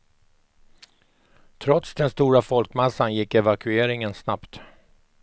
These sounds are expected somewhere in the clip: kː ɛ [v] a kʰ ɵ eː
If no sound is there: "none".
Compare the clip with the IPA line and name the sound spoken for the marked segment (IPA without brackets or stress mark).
v